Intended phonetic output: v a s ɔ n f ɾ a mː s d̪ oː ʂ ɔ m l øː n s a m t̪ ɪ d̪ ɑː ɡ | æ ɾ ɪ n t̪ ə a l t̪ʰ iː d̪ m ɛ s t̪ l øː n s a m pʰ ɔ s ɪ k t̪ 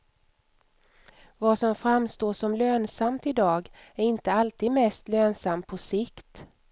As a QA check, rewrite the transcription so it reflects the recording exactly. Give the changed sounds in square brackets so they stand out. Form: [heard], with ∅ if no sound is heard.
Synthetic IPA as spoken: v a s ɔ [m] f ɾ a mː s [t̪] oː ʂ ɔ m l øː n s a m t̪ ɪ d̪ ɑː ɡ | æ ɾ ɪ n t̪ ə a l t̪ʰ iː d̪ m ɛ s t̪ l øː n s a m pʰ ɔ s ɪ k t̪